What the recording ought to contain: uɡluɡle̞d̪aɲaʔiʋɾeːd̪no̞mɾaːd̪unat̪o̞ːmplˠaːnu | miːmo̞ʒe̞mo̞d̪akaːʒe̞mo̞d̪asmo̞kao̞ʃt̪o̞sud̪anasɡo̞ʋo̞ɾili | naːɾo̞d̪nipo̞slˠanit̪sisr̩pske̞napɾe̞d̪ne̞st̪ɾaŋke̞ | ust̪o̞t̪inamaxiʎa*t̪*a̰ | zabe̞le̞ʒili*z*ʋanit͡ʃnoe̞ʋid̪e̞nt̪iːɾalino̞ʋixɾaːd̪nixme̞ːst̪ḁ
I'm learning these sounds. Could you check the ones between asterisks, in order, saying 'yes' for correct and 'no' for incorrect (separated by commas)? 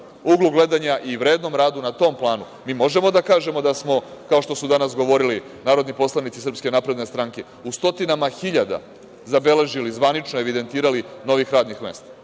no, yes